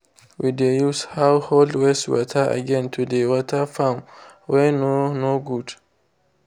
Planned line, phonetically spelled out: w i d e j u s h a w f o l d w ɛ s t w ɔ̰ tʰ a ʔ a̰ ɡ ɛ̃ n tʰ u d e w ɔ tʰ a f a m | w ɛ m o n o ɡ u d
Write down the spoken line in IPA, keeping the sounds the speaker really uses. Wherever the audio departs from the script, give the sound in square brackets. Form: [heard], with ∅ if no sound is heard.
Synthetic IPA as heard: w i d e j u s h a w [h] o l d w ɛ s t w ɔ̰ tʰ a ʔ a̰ ɡ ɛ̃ n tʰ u d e w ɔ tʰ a f a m | w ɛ [n] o n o ɡ u d